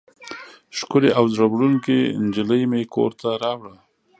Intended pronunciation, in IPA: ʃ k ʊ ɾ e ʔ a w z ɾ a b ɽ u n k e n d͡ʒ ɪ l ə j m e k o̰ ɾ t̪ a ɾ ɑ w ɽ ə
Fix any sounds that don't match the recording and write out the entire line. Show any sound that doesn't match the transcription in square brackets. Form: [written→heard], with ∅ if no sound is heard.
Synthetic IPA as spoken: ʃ k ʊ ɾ e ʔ a w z ɾ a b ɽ u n k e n d͡ʒ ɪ l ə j m e k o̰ ɾ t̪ a ɾ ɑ w ɽ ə

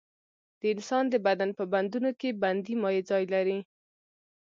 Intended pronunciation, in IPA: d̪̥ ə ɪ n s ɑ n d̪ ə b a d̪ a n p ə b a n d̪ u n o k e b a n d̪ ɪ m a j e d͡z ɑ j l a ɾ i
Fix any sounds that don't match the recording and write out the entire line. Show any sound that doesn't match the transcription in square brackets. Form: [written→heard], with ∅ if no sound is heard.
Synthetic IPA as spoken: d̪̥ ə ɪ n s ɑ n d̪ ə b a d̪ a n p ə b a n d̪ u n o k e b a n d̪ [ɪ→i] m [a→ɑ] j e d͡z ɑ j l a ɾ i

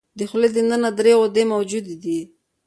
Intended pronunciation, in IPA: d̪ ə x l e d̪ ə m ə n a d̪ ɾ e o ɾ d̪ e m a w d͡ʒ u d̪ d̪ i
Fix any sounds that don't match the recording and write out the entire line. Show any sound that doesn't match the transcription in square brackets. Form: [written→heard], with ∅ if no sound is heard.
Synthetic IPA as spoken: d̪ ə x l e d̪ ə [m→n] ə n a d̪ ɾ e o [ɾ→∅] d̪ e m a w d͡ʒ u d̪ d̪ i

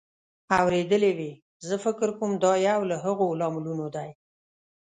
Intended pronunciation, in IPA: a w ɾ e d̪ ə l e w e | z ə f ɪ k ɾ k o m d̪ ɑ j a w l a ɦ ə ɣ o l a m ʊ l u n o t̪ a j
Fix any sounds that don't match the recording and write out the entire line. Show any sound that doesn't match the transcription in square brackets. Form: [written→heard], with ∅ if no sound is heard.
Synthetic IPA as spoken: a w ɾ e d̪ ə l e w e | z ə f ɪ k ɾ k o m d̪ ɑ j a w l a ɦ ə ɣ o l [a→ɑ] m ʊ l u n o [t̪→d̪] a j

